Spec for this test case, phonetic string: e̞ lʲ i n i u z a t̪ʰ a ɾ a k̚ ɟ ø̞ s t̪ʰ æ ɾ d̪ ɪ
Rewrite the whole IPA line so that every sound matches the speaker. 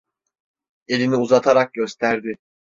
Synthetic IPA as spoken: e̞ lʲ i n i u z a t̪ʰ a ɾ a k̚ ɟ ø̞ s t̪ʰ æ ɾ d̪ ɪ